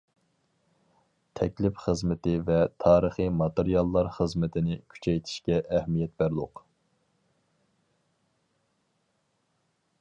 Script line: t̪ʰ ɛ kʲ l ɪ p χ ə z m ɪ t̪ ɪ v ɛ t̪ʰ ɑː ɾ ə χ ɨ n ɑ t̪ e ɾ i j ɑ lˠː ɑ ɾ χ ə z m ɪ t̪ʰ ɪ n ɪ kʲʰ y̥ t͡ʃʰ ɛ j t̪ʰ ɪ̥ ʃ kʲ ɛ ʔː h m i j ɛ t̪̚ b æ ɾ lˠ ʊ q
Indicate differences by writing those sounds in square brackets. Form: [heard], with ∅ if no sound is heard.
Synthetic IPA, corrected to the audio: t̪ʰ ɛ kʲ l ɪ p χ ə z m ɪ t̪ ɪ v ɛ t̪ʰ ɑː ɾ ə χ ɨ [m] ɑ t̪ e ɾ i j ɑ lˠː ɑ ɾ χ ə z m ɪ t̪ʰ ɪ n ɪ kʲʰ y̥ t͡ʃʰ ɛ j t̪ʰ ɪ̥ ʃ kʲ ɛ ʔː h m i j ɛ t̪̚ b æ ɾ lˠ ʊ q

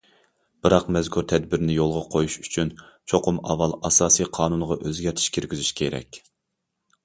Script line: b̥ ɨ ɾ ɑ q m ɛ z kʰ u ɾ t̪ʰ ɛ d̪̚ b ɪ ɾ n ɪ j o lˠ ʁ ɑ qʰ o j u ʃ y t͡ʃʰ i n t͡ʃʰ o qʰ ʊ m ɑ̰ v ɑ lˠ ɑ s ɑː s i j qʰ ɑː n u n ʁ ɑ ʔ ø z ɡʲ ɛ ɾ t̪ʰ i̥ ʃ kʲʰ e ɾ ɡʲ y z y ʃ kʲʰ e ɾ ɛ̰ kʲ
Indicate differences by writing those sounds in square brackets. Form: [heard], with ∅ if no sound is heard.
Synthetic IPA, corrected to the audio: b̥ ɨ ɾ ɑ q m ɛ z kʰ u ɾ t̪ʰ ɛ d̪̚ b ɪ ɾ n ɪ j o lˠ ʁ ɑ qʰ o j u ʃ y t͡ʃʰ [y] n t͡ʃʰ o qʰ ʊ m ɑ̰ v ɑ lˠ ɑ s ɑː s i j qʰ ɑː n u n ʁ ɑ ʔ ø z ɡʲ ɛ ɾ t̪ʰ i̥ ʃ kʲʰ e ɾ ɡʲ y z y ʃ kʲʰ e ɾ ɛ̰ kʲ

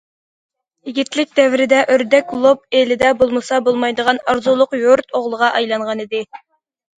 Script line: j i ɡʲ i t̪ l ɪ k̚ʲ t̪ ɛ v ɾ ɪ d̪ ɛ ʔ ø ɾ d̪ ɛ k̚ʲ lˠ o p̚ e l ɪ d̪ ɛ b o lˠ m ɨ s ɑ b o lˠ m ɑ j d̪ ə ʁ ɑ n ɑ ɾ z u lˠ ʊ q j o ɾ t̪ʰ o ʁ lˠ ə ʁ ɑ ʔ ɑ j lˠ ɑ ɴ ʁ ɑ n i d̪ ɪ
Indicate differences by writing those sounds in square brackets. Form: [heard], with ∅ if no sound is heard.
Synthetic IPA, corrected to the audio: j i ɡʲ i t̪ l ɪ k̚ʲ [d̪] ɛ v ɾ ɪ d̪ ɛ ʔ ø ɾ d̪ ɛ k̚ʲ lˠ o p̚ e l ɪ d̪ ɛ b o lˠ m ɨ s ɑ b o lˠ m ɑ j d̪ ə ʁ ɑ n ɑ ɾ z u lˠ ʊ q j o ɾ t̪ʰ o ʁ lˠ ə ʁ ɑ ʔ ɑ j lˠ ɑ ɴ ʁ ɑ n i d̪ ɪ

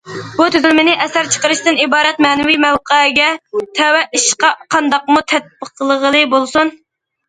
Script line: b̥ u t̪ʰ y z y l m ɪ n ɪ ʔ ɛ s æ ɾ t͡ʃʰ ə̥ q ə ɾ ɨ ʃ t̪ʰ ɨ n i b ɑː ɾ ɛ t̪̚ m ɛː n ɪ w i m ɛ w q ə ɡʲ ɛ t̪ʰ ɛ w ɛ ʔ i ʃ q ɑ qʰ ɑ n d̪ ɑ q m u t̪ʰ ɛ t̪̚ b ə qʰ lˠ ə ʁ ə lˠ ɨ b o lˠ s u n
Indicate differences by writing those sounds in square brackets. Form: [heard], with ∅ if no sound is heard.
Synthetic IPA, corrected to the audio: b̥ u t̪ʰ y z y l m ɪ n ɪ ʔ ɛ s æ ɾ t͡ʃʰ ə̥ q ə ɾ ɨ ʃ [t̪] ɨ n i b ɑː ɾ ɛ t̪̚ m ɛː n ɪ w i m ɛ w q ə ɡʲ ɛ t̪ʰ ɛ w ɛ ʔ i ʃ q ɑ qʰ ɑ n d̪ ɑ q m u t̪ʰ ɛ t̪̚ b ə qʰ lˠ ə ʁ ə lˠ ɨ b o lˠ s u n

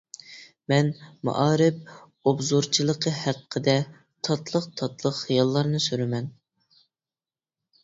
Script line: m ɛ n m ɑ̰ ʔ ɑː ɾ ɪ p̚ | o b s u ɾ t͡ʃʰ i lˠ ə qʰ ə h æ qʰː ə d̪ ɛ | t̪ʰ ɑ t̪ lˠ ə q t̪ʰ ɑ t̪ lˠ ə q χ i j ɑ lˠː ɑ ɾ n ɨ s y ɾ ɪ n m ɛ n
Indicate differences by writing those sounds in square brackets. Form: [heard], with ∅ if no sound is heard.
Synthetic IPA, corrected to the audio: m ɛ n m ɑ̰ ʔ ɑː ɾ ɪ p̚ | o b [z] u ɾ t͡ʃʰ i lˠ ə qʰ ə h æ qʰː ə d̪ ɛ | t̪ʰ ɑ t̪ lˠ ə q t̪ʰ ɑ t̪ lˠ ə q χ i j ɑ lˠː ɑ ɾ n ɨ s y ɾ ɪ [∅] m ɛ n

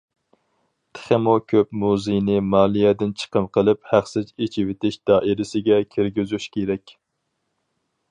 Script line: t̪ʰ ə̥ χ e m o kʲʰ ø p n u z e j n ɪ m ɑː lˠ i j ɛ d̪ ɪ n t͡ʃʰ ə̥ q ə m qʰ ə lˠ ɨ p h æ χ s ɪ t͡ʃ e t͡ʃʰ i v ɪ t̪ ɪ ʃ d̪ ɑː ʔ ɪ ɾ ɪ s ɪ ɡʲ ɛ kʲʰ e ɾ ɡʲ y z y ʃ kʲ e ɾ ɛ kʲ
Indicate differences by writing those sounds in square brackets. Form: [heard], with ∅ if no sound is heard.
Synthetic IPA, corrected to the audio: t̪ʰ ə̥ χ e m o kʲʰ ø p [m] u z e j n ɪ m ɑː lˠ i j ɛ d̪ ɪ n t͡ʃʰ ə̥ q ə m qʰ ə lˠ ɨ p h æ χ s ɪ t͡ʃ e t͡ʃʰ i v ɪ t̪ ɪ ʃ d̪ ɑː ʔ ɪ ɾ ɪ s ɪ ɡʲ ɛ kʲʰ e ɾ ɡʲ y z y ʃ kʲ e ɾ ɛ kʲ

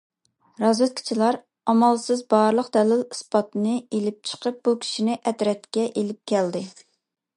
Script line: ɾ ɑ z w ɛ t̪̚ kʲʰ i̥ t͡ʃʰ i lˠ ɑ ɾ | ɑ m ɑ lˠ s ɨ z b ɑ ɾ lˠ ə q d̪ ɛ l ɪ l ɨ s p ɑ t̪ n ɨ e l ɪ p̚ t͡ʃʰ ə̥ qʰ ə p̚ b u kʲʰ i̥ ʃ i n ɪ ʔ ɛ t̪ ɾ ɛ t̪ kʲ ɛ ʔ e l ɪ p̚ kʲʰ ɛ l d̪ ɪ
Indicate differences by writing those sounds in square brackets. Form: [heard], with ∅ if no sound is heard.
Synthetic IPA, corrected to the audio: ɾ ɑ z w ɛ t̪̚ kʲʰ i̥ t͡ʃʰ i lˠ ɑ ɾ | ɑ m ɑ lˠ s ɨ z b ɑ ɾ lˠ ə q d̪ ɛ l ɪ l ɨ s p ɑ t̪ n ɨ e l ɪ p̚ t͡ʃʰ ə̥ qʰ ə p̚ b u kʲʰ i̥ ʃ i n ɪ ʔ ɛ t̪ ɾ ɛ t̪ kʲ ɛ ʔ e l ɪ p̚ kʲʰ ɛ l d̪ ɪ

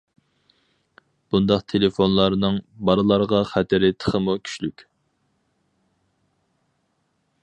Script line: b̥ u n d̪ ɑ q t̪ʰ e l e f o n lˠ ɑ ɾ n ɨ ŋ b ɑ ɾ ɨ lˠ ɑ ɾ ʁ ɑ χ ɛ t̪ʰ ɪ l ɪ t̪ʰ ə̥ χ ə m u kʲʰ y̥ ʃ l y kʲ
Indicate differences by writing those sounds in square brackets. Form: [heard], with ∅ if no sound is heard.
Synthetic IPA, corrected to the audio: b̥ u n d̪ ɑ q t̪ʰ e l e f o n lˠ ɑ ɾ n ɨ ŋ b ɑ ɾ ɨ lˠ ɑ ɾ ʁ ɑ χ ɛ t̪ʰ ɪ [ɾ] ɪ t̪ʰ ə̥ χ ə m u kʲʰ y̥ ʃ l y kʲ

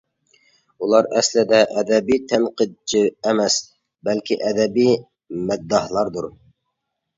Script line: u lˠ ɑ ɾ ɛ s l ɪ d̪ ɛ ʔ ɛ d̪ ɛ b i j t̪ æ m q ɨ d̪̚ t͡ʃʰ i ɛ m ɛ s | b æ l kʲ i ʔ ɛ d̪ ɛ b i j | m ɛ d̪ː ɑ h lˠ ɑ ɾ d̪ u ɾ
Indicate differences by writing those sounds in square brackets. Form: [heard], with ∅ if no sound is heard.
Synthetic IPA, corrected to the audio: u lˠ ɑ ɾ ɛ s l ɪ d̪ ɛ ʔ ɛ d̪ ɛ b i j [t̪ʰ] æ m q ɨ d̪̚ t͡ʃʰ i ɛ m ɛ s | b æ l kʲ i ʔ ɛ d̪ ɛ b i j | m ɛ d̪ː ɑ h lˠ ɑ ɾ d̪ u ɾ

